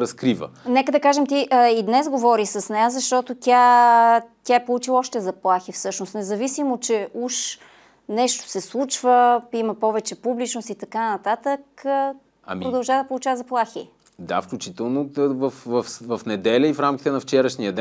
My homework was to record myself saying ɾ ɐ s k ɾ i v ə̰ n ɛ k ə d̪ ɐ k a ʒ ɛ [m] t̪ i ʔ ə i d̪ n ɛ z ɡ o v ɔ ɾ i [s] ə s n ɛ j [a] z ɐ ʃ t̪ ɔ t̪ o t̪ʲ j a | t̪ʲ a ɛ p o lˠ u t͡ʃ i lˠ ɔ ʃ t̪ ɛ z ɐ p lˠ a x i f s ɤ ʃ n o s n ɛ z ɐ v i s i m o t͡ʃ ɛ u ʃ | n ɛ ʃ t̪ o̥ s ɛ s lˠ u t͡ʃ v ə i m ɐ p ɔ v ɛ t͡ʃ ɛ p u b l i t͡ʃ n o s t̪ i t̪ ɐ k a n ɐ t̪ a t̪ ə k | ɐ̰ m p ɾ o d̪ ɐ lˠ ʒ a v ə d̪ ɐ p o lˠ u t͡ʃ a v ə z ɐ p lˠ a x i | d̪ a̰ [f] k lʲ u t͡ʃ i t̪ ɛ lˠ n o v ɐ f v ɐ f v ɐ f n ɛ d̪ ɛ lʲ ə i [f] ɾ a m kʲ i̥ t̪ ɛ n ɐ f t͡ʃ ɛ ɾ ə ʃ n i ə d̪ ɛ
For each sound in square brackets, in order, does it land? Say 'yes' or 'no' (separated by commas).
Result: yes, yes, yes, yes, yes